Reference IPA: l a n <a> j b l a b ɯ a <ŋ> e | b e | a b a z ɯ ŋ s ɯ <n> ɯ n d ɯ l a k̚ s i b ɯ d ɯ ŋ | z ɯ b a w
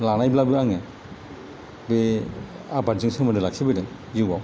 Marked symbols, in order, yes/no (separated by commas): yes, yes, no